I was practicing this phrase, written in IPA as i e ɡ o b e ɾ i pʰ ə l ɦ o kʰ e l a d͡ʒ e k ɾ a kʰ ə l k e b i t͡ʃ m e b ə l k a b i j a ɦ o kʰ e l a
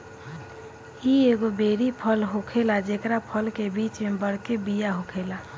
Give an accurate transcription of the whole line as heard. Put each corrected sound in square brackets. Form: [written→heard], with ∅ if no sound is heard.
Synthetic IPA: i e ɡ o b e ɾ i pʰ ə l ɦ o kʰ e l a d͡ʒ e k ɾ a [kʰ→pʰ] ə l k e b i t͡ʃ m e b ə [l→ɽ] k [a→e] b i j a ɦ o kʰ e l a